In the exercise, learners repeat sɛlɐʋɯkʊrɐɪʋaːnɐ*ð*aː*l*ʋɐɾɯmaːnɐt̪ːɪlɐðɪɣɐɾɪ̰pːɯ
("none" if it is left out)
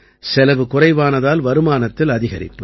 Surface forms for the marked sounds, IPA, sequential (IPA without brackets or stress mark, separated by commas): ð, l